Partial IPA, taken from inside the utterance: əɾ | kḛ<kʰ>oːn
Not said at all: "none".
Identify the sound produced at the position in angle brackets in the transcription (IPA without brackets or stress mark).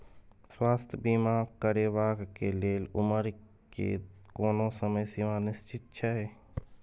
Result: k